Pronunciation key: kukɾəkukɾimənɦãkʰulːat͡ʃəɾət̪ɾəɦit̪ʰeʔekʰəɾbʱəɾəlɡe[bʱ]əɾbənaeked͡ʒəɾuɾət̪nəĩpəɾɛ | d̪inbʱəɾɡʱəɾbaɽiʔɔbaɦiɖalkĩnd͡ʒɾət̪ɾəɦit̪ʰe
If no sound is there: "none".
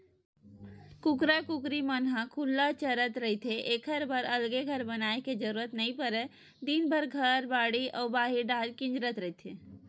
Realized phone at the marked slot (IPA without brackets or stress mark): ɡʱ